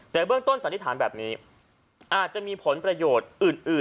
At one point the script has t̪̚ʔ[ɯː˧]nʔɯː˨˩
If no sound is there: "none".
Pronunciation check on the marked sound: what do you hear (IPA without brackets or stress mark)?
ɯː˨˩